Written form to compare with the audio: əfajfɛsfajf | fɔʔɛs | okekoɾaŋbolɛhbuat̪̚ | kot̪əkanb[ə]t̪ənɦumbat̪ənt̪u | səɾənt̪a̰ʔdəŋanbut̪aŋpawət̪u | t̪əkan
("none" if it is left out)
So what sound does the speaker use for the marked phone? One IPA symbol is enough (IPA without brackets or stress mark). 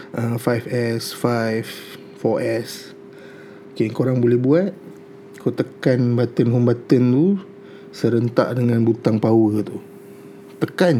a